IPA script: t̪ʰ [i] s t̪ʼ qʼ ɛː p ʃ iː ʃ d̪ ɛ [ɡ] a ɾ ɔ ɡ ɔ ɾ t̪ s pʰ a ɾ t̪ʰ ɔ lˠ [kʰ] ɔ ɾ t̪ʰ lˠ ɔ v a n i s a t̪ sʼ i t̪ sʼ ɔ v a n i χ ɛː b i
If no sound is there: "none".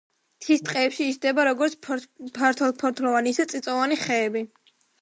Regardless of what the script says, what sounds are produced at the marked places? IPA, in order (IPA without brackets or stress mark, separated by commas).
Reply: i, b, pʰ